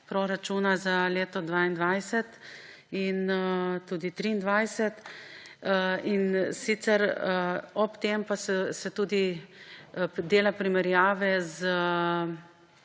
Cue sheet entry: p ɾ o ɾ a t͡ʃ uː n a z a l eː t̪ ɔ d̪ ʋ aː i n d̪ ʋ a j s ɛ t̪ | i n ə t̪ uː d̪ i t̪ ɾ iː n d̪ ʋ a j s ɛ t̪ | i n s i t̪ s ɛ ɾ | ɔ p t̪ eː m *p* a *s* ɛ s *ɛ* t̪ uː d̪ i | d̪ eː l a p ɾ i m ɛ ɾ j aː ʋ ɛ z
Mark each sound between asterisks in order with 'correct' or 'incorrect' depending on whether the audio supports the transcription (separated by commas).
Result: correct, correct, correct